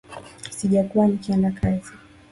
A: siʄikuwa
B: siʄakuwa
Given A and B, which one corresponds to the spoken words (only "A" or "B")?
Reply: B